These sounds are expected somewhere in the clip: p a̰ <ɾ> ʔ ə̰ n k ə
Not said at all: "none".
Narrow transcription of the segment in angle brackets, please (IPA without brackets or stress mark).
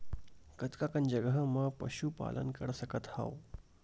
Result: l